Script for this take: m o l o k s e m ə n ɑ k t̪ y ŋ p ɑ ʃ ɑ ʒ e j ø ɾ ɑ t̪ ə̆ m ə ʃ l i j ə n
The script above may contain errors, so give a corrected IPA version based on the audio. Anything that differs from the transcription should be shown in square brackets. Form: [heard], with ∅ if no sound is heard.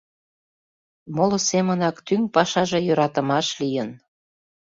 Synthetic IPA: m o l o [∅] s e m ə n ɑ k t̪ y ŋ p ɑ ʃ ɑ ʒ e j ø ɾ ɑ t̪ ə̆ m [ɑ] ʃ l i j ə n

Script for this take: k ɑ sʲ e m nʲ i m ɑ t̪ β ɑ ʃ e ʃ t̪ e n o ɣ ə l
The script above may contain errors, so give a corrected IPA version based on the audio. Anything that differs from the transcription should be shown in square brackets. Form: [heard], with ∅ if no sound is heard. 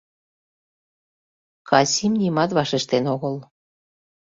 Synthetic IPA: k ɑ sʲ [i] m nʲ i m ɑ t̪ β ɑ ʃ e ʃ t̪ e n o ɣ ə l

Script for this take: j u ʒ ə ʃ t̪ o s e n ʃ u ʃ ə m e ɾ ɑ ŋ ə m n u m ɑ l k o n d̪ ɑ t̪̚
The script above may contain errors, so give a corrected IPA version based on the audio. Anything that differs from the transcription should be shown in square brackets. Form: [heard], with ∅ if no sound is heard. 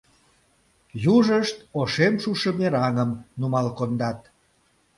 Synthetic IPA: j u ʒ ə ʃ t̪ o [ʃ] e [m] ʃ u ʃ ə m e ɾ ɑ ŋ ə m n u m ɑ l k o n d̪ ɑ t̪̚

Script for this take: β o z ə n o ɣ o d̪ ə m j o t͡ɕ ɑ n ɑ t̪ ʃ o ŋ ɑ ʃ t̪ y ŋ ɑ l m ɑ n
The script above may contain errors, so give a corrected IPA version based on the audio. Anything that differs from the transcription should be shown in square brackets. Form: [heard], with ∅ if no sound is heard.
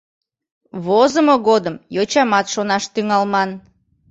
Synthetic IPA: β o z ə [m] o ɣ o d̪ ə m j o t͡ɕ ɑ [m] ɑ t̪ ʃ o [n] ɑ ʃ t̪ y ŋ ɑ l m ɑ n

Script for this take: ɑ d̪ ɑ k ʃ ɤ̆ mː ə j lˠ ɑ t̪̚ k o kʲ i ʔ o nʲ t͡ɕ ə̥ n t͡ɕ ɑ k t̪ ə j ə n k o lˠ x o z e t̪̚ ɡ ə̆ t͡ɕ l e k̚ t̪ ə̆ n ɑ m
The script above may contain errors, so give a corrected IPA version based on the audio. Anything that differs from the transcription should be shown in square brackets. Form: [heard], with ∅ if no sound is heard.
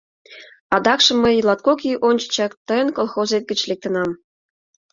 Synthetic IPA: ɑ d̪ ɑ k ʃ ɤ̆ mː ə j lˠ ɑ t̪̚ k o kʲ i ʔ o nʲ t͡ɕ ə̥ [∅] t͡ɕ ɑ k t̪ ə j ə n k o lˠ x o z e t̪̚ ɡ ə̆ t͡ɕ l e k̚ t̪ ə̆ n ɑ m

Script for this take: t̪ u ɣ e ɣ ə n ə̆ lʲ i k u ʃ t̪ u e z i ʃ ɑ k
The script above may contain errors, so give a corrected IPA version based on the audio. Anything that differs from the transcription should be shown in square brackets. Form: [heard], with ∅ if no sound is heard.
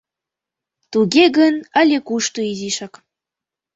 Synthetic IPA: t̪ u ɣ e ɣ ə n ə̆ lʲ [e] k u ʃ t̪ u [i] z i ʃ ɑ k

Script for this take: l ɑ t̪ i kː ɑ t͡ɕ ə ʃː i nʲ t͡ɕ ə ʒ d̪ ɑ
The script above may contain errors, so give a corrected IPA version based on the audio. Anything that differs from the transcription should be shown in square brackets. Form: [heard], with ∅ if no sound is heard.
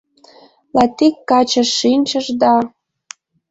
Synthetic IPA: l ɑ t̪ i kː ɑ t͡ɕ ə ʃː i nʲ t͡ɕ ə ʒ d̪ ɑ

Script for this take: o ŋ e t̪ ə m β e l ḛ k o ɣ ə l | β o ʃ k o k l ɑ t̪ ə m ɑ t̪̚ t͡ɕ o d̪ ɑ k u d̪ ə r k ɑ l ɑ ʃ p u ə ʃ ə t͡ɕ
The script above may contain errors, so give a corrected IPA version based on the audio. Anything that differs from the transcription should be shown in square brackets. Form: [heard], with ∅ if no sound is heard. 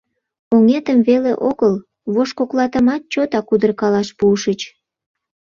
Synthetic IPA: o ŋ e t̪ ə m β e l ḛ [ʔ] o ɣ ə l | β o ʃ k o k l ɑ t̪ ə m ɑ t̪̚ t͡ɕ o [t̪] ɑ k u d̪ ə r k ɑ l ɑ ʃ p u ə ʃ ə t͡ɕ

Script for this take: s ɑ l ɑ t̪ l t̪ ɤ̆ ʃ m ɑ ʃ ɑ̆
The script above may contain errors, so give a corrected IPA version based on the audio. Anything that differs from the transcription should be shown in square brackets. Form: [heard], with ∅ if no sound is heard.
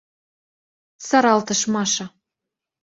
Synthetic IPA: s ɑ [ɾ] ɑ [∅] l t̪ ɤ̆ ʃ m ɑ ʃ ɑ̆

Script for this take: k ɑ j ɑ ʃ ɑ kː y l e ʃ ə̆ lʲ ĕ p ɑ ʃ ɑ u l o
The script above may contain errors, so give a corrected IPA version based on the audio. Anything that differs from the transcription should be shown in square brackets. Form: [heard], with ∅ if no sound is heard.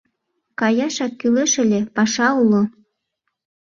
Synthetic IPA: k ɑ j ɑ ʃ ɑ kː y l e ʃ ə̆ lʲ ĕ p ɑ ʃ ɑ u l o

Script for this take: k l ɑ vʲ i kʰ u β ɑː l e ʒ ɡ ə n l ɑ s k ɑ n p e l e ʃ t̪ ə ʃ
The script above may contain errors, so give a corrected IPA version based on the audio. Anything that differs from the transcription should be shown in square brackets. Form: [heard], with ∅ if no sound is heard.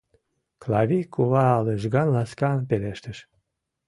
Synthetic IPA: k l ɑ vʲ i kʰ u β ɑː l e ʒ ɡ [ɑ] n l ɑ s k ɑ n p e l e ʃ t̪ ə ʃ

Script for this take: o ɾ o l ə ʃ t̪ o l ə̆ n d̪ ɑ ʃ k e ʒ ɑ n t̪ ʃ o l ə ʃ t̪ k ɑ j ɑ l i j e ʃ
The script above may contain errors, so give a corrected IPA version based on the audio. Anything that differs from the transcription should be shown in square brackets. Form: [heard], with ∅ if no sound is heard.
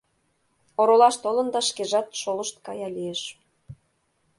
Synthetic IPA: o ɾ o l [ɑ] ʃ t̪ o l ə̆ n d̪ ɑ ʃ k e ʒ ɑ [∅] t̪ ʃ o l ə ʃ t̪ k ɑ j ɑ l i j e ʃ

